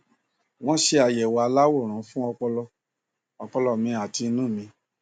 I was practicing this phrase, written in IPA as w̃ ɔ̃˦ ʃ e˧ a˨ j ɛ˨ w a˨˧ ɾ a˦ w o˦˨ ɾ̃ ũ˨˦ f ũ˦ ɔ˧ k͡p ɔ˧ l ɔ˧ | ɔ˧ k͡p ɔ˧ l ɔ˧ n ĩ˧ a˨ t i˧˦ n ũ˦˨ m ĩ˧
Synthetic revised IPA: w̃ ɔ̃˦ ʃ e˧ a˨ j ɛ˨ w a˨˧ l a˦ w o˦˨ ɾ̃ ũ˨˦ f ũ˦ ɔ˧ k͡p ɔ˧ l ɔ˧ | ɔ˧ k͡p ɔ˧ l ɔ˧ m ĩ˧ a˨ t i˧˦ n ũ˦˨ m ĩ˧